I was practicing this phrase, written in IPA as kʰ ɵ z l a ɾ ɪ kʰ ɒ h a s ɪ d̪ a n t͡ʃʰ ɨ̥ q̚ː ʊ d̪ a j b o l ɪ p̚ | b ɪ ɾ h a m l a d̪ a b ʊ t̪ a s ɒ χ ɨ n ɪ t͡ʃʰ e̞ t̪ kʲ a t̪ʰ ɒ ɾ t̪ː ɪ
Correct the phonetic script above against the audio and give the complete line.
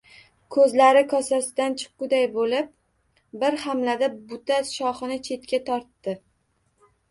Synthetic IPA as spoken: kʰ ɵ z l a ɾ ɪ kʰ ɒ s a s ɪ d̪ a n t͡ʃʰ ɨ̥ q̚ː ʊ d̪ a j b o l ɪ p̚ | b ɪ ɾ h a m l a d̪ a b ʊ t̪ a ʃ ɒ χ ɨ n ɪ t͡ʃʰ e̞ t̪ kʲ a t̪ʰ ɒ ɾ t̪ː ɪ